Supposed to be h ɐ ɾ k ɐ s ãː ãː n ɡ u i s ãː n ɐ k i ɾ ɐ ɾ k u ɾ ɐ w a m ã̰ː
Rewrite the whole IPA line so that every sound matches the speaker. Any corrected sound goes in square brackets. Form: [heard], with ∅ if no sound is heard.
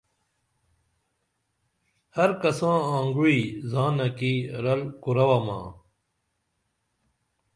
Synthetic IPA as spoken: h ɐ ɾ k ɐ s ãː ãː [ŋ] ɡ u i [z] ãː n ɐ k i ɾ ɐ [l] k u ɾ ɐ w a m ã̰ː

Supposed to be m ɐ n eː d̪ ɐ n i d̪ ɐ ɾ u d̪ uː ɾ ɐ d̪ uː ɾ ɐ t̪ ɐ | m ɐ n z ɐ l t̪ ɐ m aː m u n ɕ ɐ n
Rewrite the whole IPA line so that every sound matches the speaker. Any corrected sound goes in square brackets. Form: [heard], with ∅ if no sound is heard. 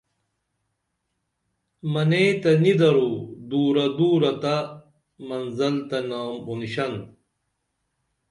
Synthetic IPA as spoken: m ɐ n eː [t̪] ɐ n i d̪ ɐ ɾ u d̪ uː ɾ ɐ d̪ uː ɾ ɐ t̪ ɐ | m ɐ n z ɐ l t̪ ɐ [n] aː m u n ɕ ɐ n

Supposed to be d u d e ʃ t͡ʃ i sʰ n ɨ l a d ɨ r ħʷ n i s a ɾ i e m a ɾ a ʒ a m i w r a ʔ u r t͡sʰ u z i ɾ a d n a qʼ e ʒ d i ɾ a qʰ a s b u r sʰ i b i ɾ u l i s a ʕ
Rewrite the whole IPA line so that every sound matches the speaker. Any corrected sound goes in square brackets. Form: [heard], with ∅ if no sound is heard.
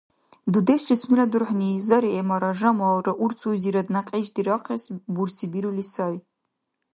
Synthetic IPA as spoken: d u d e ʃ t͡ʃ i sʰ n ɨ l a d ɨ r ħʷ n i [z] a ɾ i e m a ɾ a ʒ a m [a] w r a ʔ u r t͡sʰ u z i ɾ a d n a qʼ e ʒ d i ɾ a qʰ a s b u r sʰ i b i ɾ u l i s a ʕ

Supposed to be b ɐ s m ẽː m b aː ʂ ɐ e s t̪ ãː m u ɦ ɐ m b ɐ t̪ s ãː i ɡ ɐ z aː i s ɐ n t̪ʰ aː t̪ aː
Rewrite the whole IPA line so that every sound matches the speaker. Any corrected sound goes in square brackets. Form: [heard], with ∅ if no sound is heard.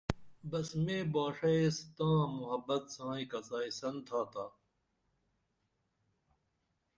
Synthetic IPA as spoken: b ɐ s m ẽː [∅] b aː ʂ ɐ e s t̪ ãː m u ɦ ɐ [∅] b ɐ t̪ s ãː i [k] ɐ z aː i s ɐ n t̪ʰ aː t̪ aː

